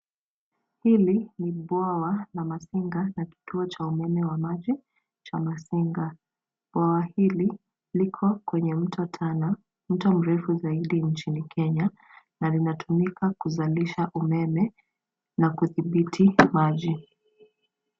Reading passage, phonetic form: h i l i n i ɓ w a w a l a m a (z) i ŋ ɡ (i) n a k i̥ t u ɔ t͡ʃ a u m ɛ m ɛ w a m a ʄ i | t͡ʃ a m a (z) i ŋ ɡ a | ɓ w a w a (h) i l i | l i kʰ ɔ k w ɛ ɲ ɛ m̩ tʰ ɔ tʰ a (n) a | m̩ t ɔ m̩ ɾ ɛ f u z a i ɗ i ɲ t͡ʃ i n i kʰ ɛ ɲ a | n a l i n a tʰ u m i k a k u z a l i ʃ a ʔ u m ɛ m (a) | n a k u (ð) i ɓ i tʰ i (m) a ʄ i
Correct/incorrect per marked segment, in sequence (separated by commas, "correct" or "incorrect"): incorrect, incorrect, incorrect, correct, correct, incorrect, incorrect, correct